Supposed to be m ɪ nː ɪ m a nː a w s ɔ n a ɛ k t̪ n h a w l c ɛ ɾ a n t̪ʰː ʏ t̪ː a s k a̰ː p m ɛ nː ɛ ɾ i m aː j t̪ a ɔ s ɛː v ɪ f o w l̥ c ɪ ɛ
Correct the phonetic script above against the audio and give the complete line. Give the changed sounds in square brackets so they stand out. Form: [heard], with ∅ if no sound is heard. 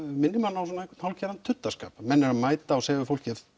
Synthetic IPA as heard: m ɪ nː ɪ m a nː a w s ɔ n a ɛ k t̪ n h a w l c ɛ ɾ a n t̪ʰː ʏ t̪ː a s k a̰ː p m ɛ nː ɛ ɾ [a] m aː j t̪ a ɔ s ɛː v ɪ f o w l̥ c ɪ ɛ